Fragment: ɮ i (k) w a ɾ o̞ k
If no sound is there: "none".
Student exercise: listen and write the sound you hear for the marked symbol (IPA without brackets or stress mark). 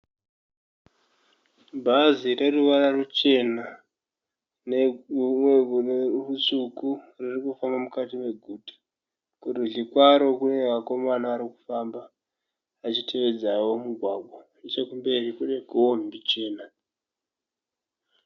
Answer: k